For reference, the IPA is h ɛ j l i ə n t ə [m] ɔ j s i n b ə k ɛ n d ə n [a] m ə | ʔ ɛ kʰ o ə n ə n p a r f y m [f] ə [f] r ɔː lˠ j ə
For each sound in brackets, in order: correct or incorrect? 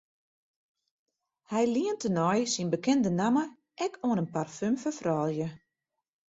incorrect, correct, correct, correct

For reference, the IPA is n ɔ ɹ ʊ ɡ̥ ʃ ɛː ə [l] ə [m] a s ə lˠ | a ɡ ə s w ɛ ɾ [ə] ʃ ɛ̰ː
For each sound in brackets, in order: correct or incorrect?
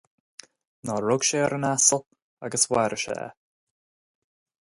incorrect, incorrect, correct

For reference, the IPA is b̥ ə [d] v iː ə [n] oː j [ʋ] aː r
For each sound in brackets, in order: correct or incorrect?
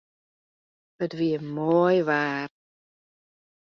correct, incorrect, incorrect

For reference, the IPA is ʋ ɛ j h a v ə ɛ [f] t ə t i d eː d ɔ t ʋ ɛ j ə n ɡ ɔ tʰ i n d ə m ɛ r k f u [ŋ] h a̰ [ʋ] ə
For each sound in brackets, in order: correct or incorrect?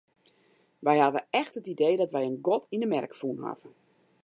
incorrect, incorrect, incorrect

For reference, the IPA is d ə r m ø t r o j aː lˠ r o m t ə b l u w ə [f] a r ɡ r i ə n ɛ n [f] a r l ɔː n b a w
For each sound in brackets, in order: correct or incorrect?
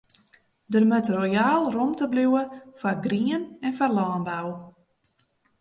correct, correct

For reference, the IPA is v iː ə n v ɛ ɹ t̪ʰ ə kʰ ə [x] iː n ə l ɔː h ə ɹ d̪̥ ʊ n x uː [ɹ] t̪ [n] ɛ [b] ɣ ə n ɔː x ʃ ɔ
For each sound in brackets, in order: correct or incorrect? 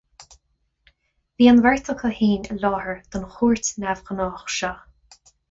incorrect, correct, correct, incorrect

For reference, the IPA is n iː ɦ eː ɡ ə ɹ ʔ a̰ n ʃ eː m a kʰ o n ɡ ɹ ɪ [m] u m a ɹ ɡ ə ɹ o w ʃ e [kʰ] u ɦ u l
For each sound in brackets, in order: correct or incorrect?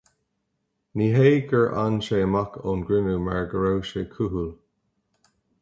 incorrect, correct

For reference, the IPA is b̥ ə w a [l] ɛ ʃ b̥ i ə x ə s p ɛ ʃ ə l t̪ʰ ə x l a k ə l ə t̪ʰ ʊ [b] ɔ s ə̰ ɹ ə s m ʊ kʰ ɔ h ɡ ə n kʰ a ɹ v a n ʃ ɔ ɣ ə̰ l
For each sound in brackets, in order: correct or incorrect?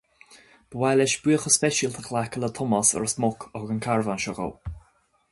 correct, incorrect

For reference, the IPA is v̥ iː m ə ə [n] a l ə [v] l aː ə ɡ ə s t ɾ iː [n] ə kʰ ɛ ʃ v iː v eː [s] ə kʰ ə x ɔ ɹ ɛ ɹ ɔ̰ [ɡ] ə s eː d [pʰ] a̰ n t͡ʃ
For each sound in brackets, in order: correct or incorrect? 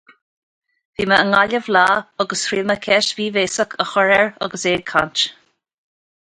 incorrect, correct, incorrect, correct, correct, incorrect

